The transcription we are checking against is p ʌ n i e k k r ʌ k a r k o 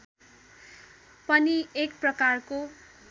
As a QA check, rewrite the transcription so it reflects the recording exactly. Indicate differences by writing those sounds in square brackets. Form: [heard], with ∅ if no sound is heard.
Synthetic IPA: p ʌ n i e k [p] r ʌ k a r k o